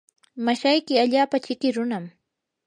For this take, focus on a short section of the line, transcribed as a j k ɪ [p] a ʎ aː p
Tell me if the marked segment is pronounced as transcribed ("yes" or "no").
no